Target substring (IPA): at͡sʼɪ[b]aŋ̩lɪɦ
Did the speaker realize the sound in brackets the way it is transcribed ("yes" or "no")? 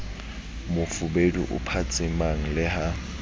no